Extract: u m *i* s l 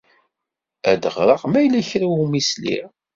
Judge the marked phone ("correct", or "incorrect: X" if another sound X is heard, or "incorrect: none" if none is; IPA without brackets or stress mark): correct